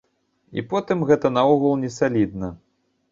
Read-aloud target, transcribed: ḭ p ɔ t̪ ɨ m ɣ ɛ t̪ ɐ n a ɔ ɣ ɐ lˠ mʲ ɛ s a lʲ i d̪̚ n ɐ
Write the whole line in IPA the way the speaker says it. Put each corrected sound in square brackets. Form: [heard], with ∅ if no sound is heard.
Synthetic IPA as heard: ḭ p ɔ t̪ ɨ m ɣ ɛ t̪ ɐ n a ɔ ɣ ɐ lˠ [nʲ] ɛ s a lʲ i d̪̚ n ɐ